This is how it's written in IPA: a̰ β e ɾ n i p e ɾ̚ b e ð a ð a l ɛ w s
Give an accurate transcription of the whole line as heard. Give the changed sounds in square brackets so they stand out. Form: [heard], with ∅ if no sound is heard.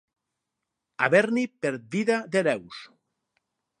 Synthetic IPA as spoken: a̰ β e ɾ n i p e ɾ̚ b [i] ð a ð [e] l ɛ w s